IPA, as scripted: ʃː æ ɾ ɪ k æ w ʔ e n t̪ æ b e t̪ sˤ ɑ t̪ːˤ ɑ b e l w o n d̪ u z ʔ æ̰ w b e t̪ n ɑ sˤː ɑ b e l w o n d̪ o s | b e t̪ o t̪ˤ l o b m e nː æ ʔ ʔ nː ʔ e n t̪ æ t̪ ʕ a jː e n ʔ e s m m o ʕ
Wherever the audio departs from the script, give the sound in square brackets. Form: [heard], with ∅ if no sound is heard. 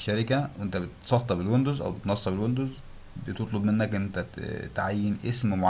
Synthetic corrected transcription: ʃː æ ɾ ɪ k æ w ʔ e n t̪ æ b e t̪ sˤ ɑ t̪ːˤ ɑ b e l w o n d̪ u z ʔ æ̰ w b e t̪ n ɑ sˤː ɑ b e l w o n d̪ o [z] | b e t̪ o t̪ˤ l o b m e nː æ [k] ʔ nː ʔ e n t̪ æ t̪ ʕ a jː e n ʔ e s m m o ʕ